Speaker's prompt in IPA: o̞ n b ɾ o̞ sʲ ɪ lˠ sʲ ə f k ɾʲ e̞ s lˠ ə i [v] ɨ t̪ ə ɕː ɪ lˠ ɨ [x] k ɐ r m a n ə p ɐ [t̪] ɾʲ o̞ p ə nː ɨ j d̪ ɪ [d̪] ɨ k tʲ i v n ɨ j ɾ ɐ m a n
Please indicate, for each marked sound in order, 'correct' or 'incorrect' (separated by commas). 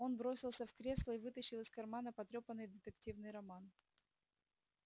correct, incorrect, correct, incorrect